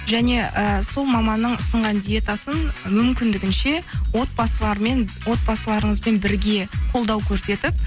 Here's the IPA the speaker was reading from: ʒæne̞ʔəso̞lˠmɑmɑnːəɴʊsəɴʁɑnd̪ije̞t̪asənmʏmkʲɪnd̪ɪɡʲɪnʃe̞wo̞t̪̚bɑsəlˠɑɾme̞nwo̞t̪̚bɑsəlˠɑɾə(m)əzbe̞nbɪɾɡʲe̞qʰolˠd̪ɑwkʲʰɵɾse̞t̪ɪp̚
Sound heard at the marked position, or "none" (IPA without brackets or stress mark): ɴ